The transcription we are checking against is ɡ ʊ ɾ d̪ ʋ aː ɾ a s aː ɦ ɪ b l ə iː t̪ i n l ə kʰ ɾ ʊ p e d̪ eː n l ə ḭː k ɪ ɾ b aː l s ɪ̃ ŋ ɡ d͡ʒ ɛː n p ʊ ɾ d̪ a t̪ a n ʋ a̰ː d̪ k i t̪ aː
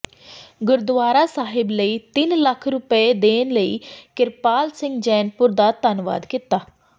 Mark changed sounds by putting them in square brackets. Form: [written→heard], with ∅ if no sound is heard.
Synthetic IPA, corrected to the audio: ɡ ʊ ɾ d̪ ʋ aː ɾ a s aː ɦ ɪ b l ə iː t̪ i n l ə kʰ ɾ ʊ p e d̪ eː n l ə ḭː k ɪ ɾ [b→p] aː l s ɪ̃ ŋ ɡ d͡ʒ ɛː n p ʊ ɾ d̪ a t̪ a n ʋ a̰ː d̪ k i t̪ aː